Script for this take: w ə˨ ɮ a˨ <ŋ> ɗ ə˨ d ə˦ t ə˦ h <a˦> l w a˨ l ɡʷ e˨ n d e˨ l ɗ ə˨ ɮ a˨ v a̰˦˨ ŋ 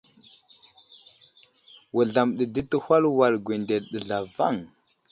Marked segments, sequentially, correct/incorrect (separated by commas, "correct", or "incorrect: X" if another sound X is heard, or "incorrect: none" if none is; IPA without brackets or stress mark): incorrect: m, correct